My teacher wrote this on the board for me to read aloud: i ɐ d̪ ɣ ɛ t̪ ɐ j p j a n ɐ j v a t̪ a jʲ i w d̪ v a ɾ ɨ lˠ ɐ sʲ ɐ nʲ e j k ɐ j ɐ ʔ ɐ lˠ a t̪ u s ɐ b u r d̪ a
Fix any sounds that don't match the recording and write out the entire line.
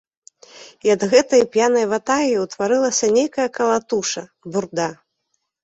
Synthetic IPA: i ɐ d̪ ɣ ɛ t̪ ɐ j p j a n ɐ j v a t̪ a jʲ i w t̪ v a ɾ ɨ lˠ ɐ sʲ ɐ nʲ e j k ɐ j ɐ k ɐ lˠ a t̪ u ʂ ɐ b u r d̪ a